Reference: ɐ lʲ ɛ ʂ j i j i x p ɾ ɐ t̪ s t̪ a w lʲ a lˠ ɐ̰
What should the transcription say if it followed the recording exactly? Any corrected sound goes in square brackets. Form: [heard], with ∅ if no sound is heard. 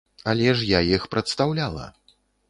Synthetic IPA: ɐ lʲ ɛ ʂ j [a] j i x p ɾ ɐ t̪ s t̪ a w lʲ a lˠ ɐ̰

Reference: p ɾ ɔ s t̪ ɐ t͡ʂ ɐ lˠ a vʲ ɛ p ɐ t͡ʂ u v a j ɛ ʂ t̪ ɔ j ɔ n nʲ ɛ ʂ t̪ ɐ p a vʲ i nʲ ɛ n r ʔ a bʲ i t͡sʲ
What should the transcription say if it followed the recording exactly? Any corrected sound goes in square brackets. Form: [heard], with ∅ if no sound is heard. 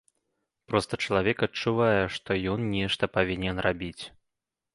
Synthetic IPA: p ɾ ɔ s t̪ ɐ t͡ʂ ɐ lˠ a vʲ ɛ [k] ɐ t͡ʂ u v a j ɛ ʂ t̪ ɔ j ɔ n nʲ ɛ ʂ t̪ ɐ p a vʲ i nʲ ɛ n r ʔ a bʲ i t͡sʲ

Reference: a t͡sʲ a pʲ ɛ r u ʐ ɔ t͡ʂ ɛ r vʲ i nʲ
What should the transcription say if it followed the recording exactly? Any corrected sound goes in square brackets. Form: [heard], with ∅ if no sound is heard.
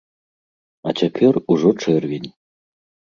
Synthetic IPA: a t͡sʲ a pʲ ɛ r u ʐ ɔ t͡ʂ ɛ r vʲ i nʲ

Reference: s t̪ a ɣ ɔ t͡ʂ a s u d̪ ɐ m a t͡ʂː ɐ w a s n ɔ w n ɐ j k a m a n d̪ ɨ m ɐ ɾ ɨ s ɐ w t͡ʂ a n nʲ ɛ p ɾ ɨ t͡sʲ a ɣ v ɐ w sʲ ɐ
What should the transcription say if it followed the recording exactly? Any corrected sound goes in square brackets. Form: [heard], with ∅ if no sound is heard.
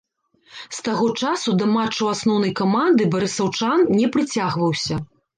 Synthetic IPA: s t̪ a ɣ ɔ t͡ʂ a s u d̪ ɐ m a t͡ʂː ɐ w a s n ɔ w n ɐ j k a m a n d̪ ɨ [b] ɐ ɾ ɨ s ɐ w t͡ʂ a n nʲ ɛ p ɾ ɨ t͡sʲ a ɣ v ɐ w sʲ ɐ

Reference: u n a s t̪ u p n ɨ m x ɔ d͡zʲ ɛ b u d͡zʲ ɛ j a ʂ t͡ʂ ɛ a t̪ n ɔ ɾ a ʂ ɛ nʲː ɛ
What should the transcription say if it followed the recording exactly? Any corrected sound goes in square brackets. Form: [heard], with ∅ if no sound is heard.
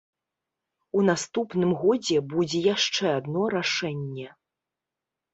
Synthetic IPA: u n a s t̪ u p n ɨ m [ɣ] ɔ d͡zʲ ɛ b u d͡zʲ ɛ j a ʂ t͡ʂ ɛ a [d̪] n ɔ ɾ a ʂ ɛ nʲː ɛ

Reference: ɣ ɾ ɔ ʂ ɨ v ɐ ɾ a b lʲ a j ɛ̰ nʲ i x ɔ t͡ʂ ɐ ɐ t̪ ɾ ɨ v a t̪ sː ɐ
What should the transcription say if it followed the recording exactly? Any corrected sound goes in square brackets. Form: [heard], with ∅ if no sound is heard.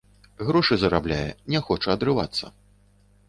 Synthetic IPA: ɣ ɾ ɔ ʂ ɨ [z] ɐ ɾ a b lʲ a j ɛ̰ nʲ [ɛ] x ɔ t͡ʂ ɐ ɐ [d̪] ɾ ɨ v a t̪ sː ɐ

